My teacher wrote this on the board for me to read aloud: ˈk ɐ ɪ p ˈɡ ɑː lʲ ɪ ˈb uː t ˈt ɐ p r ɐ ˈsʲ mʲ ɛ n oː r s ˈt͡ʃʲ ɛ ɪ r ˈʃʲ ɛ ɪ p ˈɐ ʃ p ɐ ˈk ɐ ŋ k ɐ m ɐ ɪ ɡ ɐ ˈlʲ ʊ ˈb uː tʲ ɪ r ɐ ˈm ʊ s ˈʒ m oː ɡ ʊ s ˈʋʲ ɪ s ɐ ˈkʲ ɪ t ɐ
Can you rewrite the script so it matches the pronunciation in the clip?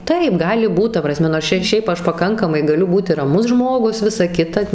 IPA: ˈt ɐ ɪ p ˈɡ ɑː lʲ ɪ ˈb uː t ˈt ɐ p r ɐ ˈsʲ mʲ ɛ n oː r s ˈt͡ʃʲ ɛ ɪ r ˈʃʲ ɛ ɪ p ˈɐ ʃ p ɐ ˈk ɐ ŋ k ɐ m ɐ ɪ ɡ ɐ ˈlʲ ʊ ˈb uː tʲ ɪ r ɐ ˈm ʊ s ˈʒ m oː ɡ ʊ s ˈʋʲ ɪ s ɐ ˈkʲ ɪ t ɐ